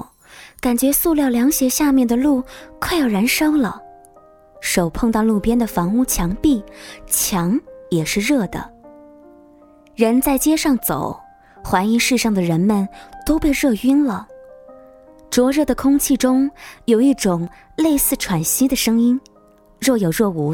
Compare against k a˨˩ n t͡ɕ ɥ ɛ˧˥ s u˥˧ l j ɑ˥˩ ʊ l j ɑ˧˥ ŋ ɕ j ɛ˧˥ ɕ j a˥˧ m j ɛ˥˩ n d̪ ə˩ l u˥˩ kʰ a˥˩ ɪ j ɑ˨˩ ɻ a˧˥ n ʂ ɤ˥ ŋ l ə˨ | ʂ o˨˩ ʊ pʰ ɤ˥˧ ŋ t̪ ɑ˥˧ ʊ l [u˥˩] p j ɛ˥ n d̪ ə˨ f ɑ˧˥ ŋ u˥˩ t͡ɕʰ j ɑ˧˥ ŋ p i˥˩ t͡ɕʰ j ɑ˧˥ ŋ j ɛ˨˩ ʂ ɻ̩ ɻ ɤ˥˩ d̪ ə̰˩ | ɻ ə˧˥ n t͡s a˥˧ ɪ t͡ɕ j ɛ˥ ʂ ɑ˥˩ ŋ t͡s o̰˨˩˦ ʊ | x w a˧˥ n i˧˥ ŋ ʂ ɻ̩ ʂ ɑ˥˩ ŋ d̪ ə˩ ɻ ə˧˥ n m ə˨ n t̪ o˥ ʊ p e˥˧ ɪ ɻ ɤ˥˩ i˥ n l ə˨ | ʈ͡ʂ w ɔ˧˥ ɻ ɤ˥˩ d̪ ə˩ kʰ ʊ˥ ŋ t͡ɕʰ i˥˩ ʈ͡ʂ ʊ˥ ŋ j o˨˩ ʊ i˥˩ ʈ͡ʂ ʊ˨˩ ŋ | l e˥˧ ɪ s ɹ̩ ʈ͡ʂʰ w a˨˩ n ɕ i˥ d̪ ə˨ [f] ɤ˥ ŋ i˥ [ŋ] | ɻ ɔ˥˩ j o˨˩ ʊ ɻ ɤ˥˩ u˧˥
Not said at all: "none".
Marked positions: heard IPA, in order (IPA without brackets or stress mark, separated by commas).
u˥˩, ʂ, n